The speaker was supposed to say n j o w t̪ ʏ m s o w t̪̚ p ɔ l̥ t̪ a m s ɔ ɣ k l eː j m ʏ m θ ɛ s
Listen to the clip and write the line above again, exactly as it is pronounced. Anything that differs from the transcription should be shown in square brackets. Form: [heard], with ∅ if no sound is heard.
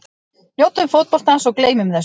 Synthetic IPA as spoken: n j o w t̪ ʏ m [f] o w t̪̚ p ɔ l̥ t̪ a [n] s ɔ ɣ k l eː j m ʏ m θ ɛ s